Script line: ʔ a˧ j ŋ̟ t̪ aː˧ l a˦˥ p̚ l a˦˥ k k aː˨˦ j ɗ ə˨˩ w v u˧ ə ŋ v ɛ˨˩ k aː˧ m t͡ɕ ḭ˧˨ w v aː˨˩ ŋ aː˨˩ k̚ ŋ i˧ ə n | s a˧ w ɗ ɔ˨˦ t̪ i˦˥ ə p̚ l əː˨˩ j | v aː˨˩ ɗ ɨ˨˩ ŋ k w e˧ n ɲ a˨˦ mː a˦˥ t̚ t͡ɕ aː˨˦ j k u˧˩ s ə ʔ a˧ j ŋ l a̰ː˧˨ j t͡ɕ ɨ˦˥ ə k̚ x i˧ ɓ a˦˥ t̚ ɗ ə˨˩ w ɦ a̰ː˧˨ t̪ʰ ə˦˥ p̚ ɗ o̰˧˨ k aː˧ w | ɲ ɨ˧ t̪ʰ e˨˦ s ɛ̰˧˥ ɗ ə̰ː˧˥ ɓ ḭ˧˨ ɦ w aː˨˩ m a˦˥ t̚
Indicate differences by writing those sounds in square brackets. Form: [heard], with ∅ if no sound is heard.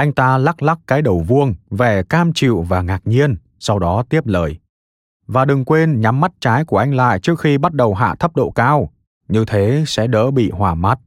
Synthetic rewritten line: ʔ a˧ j ŋ̟ t̪ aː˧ l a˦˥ [k̚] l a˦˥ k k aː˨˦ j ɗ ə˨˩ w v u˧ ə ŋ v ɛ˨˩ k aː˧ m t͡ɕ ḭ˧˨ w v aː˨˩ ŋ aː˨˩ k̚ [ɲ] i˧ ə n | s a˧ w ɗ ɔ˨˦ t̪ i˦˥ ə p̚ l əː˨˩ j | v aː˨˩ ɗ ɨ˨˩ ŋ k w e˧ n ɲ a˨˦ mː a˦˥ t̚ t͡ɕ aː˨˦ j k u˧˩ [∅] ə ʔ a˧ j ŋ l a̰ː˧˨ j t͡ɕ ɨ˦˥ ə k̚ x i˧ ɓ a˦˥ t̚ ɗ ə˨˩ w ɦ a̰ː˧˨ t̪ʰ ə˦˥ p̚ ɗ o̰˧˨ k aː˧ w | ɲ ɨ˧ t̪ʰ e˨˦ s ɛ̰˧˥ ɗ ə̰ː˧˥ ɓ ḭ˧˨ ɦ w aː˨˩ m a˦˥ t̚